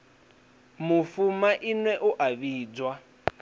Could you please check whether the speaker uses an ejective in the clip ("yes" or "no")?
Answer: no